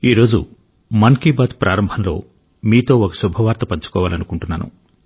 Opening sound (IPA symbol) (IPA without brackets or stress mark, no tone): iː